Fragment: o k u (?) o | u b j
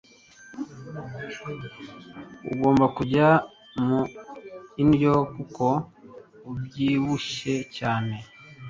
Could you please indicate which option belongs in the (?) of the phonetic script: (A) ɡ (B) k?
B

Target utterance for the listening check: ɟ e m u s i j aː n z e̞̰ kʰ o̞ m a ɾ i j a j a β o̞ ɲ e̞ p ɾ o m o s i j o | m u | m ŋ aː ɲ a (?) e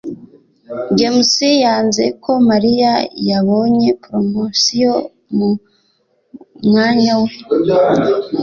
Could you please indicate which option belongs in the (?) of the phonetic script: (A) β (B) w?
B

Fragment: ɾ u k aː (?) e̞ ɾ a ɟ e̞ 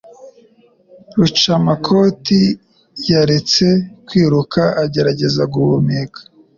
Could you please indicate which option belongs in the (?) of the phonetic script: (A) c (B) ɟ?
B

